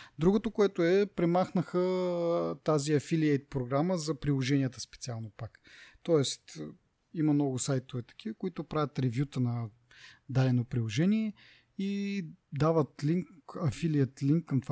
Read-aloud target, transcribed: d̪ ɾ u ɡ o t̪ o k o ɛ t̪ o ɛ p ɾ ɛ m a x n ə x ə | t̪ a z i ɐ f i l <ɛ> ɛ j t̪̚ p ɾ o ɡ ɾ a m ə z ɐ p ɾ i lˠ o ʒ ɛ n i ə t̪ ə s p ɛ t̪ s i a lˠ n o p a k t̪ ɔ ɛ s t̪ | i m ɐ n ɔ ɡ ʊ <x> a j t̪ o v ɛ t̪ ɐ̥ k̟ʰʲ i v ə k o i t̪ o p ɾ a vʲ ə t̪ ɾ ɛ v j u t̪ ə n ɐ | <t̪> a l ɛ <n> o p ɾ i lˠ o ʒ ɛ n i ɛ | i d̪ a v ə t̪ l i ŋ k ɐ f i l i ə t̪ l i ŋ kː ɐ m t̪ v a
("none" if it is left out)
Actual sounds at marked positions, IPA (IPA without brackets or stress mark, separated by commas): i, s, d̪, n